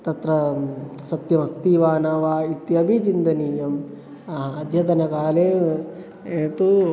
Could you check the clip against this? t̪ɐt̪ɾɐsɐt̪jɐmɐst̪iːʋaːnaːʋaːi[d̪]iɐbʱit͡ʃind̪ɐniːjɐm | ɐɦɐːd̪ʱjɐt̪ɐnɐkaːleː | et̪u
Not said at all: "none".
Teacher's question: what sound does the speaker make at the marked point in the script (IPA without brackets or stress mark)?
t̪